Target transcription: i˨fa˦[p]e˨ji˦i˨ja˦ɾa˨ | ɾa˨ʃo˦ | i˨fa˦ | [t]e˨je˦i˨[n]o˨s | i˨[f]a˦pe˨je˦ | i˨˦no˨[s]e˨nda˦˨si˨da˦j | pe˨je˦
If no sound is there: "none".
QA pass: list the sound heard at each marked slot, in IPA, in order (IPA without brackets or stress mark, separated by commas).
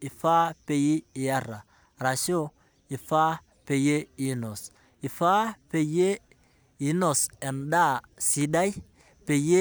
p, p, n, f, s